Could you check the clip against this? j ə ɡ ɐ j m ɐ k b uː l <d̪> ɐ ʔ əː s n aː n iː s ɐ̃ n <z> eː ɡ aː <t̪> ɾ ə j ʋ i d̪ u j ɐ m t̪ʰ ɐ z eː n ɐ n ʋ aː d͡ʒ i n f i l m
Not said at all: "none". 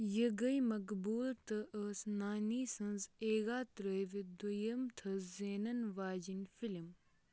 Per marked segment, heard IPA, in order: t̪, z, t̪

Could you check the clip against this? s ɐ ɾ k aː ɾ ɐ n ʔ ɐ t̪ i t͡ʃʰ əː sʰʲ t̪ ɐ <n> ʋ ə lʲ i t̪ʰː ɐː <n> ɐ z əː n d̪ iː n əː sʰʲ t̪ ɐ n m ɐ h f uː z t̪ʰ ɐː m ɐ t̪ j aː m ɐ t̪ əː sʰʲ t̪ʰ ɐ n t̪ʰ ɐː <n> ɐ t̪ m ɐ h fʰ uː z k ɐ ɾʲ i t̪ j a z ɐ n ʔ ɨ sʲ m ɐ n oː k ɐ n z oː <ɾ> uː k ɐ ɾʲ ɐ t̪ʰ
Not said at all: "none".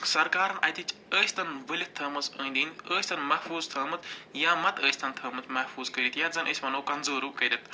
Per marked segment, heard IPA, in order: n, m, m, ɾ

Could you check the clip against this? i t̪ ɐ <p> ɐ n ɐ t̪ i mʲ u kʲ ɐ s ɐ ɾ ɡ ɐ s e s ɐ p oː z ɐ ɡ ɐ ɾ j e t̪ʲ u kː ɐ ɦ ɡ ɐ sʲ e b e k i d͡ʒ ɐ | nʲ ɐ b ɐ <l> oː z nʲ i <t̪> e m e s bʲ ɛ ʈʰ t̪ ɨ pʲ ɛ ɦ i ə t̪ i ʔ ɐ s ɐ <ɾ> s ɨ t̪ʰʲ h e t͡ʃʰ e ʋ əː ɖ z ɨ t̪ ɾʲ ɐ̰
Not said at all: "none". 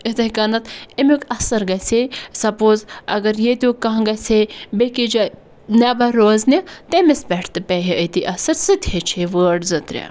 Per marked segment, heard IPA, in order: k, ɾ, t̪, ɾ

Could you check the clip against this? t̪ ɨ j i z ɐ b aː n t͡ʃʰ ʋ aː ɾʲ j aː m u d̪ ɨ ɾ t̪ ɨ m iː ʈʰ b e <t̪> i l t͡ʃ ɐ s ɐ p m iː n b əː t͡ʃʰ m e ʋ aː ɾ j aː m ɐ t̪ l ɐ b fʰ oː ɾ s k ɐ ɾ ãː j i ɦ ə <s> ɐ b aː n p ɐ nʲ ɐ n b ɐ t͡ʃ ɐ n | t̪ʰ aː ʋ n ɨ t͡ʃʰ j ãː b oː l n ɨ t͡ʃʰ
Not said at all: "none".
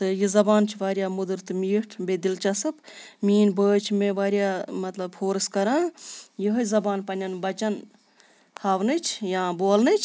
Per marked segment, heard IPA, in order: d̪, z

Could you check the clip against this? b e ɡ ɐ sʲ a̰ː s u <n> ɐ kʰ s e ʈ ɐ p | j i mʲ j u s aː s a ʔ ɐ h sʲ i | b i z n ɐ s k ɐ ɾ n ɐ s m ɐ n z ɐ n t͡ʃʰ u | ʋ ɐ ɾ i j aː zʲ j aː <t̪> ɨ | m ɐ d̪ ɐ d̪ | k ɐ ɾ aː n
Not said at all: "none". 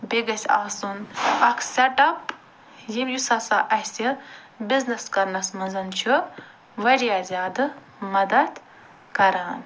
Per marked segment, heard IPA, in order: n, d̪

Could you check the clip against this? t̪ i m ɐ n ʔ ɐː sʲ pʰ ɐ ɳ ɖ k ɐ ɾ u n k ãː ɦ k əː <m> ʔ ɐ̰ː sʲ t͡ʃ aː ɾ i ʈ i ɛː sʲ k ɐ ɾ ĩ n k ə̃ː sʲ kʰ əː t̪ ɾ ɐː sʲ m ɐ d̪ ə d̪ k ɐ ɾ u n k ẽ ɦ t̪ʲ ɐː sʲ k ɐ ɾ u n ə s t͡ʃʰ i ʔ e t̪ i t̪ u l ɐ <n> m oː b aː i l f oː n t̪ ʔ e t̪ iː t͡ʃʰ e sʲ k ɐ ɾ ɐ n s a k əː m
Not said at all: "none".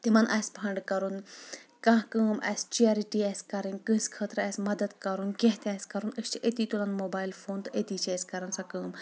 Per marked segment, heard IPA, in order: m, n

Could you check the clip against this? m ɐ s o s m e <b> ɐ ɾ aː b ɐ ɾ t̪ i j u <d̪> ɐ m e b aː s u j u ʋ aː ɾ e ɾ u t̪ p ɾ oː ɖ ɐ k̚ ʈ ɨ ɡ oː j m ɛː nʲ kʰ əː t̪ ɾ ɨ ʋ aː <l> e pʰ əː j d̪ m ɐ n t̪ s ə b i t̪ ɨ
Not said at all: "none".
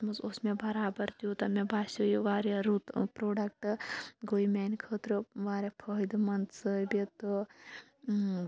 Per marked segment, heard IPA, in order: b, t̪, ɾ

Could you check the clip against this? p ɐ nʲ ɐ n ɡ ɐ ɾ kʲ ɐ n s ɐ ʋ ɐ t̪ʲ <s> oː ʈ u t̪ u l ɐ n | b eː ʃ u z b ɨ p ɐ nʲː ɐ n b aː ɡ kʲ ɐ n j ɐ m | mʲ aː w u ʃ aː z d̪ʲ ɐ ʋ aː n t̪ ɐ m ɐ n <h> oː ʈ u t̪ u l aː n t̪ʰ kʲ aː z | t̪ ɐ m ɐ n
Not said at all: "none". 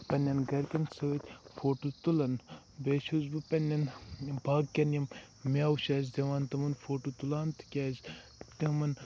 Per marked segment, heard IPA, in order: f, f

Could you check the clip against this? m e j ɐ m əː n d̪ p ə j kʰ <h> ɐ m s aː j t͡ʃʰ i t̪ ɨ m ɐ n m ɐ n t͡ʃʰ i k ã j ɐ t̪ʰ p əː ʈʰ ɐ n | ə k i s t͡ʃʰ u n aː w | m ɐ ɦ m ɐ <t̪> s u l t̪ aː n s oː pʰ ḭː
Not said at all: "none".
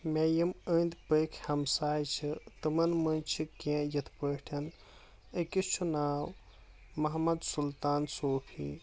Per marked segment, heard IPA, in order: h, d̪

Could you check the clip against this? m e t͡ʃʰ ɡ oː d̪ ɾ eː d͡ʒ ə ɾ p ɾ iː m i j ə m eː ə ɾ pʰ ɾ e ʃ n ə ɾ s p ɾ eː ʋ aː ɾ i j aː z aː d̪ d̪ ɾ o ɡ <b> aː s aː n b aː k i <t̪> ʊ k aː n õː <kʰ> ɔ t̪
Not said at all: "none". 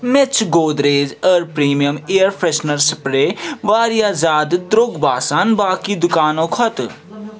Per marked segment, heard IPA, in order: b, d̪, kʰ

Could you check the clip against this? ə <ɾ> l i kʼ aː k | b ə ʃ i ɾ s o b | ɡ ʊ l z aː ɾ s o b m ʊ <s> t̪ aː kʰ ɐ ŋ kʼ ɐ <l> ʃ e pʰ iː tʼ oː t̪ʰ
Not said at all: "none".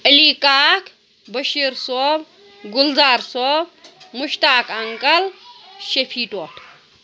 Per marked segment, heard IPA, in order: none, ʃ, l

